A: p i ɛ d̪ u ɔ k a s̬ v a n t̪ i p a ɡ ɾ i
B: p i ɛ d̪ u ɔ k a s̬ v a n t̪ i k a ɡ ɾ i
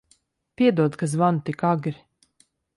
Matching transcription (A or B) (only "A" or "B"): B